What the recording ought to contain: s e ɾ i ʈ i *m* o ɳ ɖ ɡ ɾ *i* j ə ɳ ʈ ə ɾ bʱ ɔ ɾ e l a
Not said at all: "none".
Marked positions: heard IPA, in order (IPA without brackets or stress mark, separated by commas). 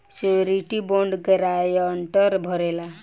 b, a